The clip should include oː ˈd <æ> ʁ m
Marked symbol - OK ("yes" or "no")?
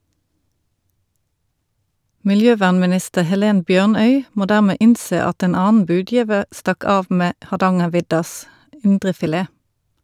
no